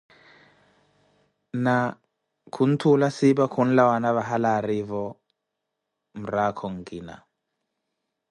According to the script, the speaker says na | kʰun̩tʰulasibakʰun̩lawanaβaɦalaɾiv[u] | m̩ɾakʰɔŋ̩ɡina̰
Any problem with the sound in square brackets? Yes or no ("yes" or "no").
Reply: yes